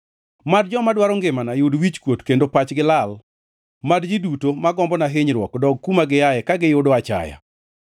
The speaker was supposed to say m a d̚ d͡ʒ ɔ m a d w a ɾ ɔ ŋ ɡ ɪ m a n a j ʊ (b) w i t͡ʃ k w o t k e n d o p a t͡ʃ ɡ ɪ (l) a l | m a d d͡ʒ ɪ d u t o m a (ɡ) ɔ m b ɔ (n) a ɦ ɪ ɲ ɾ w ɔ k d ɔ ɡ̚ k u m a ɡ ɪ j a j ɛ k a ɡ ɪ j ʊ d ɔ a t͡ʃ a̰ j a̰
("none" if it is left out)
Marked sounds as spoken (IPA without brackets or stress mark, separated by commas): d, l, ɡ, n